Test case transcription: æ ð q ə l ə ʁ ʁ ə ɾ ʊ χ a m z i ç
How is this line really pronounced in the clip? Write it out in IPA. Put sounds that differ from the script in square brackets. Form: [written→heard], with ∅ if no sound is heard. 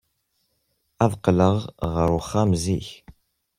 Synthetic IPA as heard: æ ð q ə l ə ʁ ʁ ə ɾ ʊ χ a m z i ç

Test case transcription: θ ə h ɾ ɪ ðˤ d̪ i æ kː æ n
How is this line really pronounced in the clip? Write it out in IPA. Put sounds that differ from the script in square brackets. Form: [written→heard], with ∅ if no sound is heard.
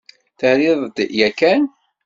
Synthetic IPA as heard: θ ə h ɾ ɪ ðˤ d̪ [i→j] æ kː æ n

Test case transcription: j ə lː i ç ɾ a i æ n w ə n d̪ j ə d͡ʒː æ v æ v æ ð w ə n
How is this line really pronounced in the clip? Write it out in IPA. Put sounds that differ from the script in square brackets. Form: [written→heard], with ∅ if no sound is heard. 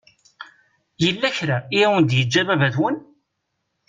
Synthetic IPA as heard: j ə lː [i→æ] ç ɾ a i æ [n→∅] w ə n d̪ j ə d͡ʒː æ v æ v æ ð w ə n

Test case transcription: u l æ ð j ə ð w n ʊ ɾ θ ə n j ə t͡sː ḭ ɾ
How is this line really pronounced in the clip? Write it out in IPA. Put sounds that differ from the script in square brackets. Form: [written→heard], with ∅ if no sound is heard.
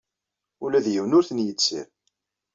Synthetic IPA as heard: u l æ ð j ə [ð→∅] w n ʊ ɾ θ ə n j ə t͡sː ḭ ɾ

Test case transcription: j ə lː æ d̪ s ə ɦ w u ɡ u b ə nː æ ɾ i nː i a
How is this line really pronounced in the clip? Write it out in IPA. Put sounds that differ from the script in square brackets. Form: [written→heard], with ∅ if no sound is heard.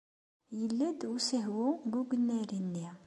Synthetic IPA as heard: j ə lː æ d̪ s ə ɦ w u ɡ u [b→ɡ] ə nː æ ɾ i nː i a

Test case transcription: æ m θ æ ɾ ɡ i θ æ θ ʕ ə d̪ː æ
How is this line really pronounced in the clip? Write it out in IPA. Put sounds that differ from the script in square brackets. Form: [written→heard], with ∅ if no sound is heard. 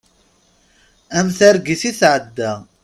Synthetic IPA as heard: æ m θ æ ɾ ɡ i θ [æ→i] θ ʕ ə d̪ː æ

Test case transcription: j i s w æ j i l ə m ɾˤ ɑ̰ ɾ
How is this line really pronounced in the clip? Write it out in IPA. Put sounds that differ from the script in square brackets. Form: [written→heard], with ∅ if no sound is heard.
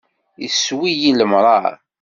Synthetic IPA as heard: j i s w [æ→i] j i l ə m ɾˤ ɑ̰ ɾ

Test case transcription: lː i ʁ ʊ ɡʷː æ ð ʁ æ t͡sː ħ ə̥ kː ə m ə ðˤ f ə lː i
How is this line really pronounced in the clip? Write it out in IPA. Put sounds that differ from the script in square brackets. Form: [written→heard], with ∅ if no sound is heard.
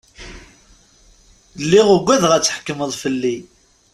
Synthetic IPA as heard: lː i ʁ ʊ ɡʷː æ ð ʁ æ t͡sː ħ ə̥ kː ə m ə ðˤ f ə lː i

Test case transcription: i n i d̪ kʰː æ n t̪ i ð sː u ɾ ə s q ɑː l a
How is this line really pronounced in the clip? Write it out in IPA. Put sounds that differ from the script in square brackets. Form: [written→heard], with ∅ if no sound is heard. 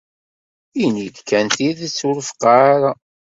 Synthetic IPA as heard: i n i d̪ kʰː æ n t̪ i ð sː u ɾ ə [s→f] q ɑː [l→ɾ] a

